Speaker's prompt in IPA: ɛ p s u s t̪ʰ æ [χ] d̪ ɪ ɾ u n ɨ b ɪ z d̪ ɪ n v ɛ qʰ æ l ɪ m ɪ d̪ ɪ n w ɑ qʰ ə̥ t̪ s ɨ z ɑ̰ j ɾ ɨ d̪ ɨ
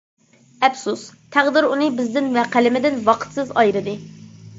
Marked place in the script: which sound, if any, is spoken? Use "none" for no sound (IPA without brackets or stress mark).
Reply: ʁ